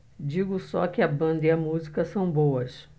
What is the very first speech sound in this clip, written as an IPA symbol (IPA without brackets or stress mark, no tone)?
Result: d͡ʒ